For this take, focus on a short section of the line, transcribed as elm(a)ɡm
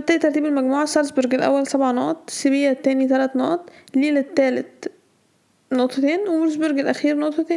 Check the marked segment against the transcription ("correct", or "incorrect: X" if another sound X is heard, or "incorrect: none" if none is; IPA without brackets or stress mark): incorrect: æ